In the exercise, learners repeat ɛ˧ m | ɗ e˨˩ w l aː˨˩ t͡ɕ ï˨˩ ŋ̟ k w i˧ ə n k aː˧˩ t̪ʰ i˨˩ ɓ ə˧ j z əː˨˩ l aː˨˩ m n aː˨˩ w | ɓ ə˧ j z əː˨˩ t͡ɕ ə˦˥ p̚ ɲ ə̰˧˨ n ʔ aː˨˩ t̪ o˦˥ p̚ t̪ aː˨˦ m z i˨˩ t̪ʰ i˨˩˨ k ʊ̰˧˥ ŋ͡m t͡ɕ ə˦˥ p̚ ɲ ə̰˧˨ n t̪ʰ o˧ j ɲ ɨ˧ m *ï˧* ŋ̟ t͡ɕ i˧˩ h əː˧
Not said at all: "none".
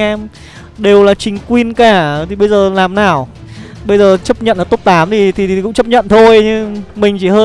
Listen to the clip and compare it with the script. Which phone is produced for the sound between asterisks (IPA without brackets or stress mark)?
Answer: ï˨˩